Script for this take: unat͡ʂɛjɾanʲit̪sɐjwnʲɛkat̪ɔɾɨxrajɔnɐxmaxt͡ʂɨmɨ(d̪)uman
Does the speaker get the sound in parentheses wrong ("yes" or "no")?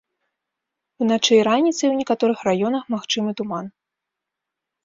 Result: yes